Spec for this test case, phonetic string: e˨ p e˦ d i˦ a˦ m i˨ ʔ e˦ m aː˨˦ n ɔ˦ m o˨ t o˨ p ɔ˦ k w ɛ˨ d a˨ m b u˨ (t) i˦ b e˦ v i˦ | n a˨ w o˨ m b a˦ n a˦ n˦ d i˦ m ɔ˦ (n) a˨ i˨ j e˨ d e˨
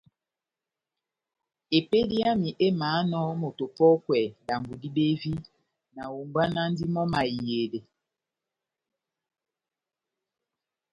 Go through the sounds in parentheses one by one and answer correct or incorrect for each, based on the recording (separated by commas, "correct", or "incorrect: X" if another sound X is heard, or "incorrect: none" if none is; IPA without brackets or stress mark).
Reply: incorrect: d, incorrect: m